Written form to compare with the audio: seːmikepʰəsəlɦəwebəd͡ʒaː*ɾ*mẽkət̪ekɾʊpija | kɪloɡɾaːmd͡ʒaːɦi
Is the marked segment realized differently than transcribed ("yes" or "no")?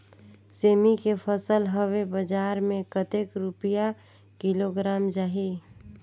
no